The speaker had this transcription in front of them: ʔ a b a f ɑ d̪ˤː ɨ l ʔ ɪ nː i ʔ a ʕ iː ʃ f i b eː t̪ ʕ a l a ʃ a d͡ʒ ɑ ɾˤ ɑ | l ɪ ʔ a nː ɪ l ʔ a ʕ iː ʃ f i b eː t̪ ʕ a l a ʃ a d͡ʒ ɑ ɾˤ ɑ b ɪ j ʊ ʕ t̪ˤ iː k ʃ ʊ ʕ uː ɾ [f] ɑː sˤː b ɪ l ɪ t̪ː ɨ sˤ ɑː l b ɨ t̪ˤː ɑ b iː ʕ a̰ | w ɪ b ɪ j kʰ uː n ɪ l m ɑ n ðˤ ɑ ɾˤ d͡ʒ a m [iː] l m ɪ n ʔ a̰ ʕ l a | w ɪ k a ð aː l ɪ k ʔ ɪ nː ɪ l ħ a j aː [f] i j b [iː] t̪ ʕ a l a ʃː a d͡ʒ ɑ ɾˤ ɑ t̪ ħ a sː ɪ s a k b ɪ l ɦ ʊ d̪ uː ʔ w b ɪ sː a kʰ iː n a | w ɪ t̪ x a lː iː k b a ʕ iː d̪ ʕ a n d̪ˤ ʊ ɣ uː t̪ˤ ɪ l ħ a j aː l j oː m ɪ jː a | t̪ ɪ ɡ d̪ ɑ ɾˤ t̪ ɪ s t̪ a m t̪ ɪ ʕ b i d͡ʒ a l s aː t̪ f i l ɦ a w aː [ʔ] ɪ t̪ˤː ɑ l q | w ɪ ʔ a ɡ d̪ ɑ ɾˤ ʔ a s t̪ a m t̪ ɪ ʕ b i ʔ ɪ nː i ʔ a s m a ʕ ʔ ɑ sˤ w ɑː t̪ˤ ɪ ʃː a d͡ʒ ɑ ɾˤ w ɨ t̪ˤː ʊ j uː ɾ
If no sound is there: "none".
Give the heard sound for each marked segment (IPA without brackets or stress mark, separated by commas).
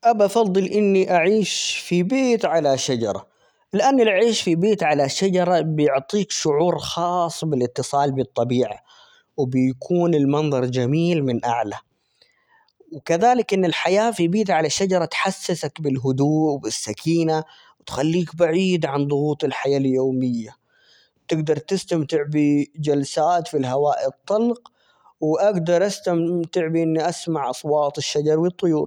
x, iː, f, iː, ʔ